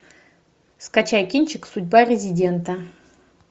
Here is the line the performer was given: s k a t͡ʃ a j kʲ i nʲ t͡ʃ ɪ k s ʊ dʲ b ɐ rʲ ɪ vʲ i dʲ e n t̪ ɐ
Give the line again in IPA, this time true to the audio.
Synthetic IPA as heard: s k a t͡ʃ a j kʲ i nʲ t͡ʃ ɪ k s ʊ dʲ b a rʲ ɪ zʲ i dʲ e n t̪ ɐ